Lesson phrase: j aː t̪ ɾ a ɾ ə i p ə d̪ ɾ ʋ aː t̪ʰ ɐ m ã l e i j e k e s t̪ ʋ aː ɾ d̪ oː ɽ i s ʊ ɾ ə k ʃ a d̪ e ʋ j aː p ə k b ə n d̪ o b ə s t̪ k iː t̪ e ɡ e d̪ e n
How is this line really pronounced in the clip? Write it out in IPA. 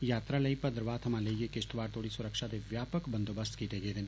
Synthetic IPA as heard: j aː t̪ ɾ a l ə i p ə d̪ ɾ ʋ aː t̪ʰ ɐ m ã l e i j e k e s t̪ ʋ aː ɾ t̪ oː ɽ i s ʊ ɾ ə k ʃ a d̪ e ʋ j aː p ə k b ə n d̪ o b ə s t̪ k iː t̪ e ɡ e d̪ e n